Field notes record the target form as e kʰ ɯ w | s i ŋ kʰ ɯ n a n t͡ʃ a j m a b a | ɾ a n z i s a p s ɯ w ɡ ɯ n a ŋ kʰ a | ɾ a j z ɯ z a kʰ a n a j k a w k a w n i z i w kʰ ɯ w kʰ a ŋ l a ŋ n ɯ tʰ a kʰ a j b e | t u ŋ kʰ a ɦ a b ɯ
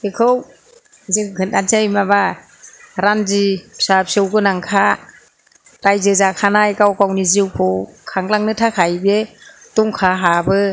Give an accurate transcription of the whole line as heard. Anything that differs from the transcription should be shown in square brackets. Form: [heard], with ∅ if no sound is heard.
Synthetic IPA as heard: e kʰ ɯ w | [z] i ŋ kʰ ɯ n a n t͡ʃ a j m a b a | ɾ a n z i s a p s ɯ w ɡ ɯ n a ŋ kʰ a | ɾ a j z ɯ z a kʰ a n a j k a w k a w n i z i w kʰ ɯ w kʰ a ŋ l a ŋ n ɯ tʰ a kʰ a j b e | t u ŋ kʰ a ɦ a b ɯ